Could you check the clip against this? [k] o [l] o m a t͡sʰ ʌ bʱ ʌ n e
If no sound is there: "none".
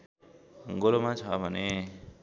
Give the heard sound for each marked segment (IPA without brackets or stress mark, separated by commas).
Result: ɡ, l